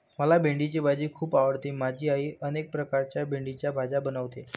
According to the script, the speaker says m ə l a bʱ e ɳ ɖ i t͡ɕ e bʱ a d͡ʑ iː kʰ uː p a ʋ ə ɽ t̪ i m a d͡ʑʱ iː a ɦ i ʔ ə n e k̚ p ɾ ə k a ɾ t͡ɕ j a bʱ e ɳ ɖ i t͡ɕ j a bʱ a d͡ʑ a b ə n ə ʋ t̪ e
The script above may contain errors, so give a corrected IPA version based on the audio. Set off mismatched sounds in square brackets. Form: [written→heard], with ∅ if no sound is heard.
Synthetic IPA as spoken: m ə l a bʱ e ɳ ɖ i t͡ɕ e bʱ a d͡ʑ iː kʰ uː p a ʋ ə ɽ t̪ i m a d͡ʑʱ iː a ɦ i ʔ ə n e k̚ p ɾ ə k a ɾ t͡ɕ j a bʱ e ɳ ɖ i t͡ɕ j a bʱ a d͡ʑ a b ə n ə ʋ t̪ e